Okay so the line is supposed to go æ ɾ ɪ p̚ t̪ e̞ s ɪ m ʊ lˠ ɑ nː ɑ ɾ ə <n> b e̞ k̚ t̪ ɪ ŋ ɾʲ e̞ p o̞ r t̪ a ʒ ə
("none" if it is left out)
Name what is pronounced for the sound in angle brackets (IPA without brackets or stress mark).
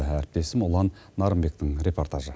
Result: m